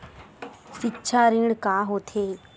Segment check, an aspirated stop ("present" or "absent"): present